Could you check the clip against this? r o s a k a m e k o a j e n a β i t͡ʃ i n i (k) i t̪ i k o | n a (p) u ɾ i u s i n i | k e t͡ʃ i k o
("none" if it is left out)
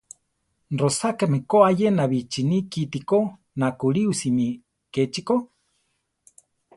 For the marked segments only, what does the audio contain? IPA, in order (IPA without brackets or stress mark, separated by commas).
k, k